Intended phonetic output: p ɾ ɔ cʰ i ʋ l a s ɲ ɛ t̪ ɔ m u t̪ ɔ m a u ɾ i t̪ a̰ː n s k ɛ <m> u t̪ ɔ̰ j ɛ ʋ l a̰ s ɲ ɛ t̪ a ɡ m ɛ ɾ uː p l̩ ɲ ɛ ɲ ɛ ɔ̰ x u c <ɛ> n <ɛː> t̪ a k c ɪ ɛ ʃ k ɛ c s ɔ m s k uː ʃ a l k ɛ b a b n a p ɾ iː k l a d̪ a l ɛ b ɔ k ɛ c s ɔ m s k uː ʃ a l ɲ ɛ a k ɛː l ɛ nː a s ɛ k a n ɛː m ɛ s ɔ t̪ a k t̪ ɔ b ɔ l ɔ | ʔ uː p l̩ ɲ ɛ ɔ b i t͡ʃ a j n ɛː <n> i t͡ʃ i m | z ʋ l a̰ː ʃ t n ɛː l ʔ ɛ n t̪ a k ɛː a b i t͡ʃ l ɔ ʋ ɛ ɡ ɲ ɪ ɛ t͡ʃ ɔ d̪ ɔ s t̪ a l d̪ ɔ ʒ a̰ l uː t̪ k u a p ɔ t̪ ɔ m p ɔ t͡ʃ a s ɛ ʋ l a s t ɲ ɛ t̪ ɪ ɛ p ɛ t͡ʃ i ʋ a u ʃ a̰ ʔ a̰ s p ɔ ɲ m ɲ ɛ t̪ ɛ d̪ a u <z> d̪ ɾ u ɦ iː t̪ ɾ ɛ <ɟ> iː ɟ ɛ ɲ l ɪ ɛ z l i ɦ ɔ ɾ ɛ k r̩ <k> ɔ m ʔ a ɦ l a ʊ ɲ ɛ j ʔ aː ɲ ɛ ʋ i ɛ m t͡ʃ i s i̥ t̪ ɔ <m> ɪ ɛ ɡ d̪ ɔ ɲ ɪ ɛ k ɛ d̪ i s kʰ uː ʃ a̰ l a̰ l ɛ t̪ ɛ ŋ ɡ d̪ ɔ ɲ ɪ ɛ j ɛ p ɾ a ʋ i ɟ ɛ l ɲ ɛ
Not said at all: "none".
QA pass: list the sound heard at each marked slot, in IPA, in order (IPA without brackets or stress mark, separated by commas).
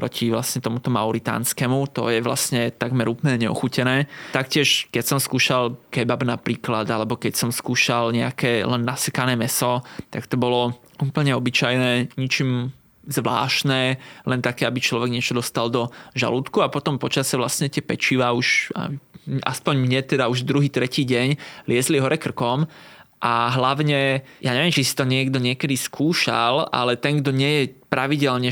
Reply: m, ɛ, ɛː, ɲ, ʒ, c, k, ɲ